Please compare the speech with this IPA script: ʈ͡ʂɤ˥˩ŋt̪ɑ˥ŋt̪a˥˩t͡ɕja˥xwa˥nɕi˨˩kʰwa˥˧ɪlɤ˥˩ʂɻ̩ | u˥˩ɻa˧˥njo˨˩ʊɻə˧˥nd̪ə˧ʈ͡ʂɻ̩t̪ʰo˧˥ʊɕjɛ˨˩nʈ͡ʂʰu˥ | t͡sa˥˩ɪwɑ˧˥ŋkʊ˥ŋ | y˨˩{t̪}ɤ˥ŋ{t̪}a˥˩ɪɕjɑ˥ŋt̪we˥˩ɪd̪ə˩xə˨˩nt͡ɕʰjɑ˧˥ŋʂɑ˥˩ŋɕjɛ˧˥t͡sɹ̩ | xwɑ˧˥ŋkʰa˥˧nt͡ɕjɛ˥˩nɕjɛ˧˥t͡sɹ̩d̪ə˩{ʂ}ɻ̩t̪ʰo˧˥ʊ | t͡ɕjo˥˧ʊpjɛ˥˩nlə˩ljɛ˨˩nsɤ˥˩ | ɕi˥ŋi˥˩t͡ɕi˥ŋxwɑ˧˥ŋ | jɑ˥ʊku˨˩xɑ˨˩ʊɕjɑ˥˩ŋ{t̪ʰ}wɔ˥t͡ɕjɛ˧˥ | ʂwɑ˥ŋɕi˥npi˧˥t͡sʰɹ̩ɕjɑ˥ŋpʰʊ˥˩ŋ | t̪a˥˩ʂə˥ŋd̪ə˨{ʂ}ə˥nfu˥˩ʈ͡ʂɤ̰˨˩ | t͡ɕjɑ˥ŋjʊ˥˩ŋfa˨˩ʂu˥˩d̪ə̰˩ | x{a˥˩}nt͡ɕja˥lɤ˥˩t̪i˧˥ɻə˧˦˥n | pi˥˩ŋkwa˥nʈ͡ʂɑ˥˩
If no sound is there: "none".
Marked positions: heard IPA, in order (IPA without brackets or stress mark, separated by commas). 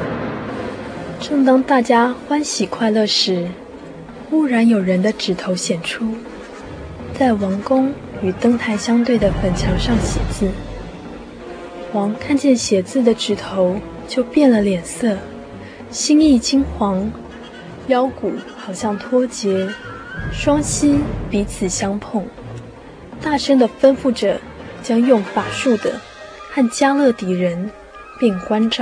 t̪, t̪ʰ, ʈ͡ʂ, t̪ʰ, f, a˥˩